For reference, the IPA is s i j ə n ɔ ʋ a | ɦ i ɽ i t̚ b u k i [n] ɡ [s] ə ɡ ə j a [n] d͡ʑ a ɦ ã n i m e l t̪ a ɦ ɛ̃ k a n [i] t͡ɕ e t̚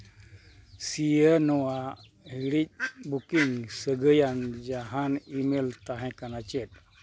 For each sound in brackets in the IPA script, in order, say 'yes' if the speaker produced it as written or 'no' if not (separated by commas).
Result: no, yes, yes, no